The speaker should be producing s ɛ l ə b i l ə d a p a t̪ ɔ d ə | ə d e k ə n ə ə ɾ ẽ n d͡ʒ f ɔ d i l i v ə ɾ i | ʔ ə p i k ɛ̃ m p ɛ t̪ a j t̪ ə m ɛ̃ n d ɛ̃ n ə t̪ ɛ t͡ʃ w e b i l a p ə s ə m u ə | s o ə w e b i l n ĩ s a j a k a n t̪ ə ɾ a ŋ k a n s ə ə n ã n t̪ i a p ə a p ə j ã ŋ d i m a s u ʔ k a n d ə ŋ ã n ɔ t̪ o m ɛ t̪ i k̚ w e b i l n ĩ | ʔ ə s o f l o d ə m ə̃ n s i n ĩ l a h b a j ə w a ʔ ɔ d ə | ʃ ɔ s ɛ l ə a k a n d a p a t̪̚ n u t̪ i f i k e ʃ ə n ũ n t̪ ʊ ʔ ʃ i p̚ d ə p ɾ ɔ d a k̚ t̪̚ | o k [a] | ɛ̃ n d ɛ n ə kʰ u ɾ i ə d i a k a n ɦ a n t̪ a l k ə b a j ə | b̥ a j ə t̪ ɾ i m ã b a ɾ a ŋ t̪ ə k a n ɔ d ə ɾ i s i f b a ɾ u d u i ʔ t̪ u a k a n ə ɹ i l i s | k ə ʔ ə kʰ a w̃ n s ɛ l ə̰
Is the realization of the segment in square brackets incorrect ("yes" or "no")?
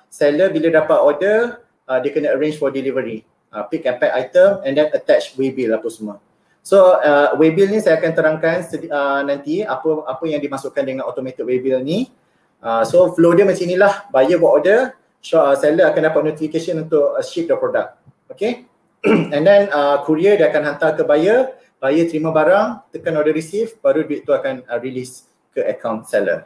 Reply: yes